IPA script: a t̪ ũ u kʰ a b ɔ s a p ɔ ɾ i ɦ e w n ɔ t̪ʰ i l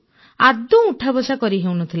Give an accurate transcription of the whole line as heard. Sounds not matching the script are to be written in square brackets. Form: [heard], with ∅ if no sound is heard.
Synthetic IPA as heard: a [d̪] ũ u [ʈʰ] a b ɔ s a [k] ɔ ɾ i ɦ e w n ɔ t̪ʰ i l

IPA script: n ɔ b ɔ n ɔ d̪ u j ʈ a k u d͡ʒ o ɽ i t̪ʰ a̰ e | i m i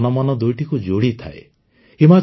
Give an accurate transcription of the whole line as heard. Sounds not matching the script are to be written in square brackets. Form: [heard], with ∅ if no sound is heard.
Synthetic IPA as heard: n ɔ [m] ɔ n ɔ d̪ u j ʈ [i] k u d͡ʒ o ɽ i t̪ʰ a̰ e | i m [a]

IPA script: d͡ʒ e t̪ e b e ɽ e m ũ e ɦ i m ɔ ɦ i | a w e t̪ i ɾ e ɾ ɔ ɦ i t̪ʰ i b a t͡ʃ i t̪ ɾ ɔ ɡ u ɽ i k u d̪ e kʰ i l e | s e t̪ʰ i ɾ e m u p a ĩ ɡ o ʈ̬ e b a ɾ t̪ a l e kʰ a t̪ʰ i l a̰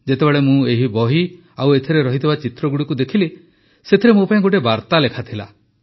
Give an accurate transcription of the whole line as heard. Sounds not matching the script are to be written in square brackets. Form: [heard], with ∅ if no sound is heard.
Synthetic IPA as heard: d͡ʒ e t̪ e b e [ɭ] e m ũ e ɦ i [b] ɔ ɦ i | a w e [t̪ʰ] i ɾ e ɾ ɔ ɦ i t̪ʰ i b a t͡ʃ i t̪ ɾ ɔ ɡ u ɽ i k u d̪ e kʰ i l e | s e t̪ʰ i ɾ e m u p a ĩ ɡ o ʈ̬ e b a ɾ t̪ a l e kʰ a t̪ʰ i l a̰

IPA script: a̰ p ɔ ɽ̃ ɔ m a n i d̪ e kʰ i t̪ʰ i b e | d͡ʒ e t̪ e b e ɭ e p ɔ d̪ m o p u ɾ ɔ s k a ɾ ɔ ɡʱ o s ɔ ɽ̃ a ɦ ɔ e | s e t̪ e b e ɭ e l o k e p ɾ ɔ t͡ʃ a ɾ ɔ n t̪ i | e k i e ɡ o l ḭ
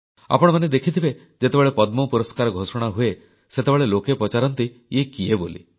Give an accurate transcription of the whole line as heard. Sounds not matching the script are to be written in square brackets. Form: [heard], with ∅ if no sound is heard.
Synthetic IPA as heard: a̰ p ɔ ɽ̃ ɔ m a n [e] d̪ e kʰ i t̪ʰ i b e | d͡ʒ e t̪ e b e ɭ e p ɔ d̪ m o p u ɾ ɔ s k a ɾ ɔ ɡʱ o s ɔ ɽ̃ a ɦ [u] e | s e t̪ e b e ɭ e l o k e p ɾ ɔ t͡ʃ a ɾ ɔ n t̪ i | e k i e [b] o l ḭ

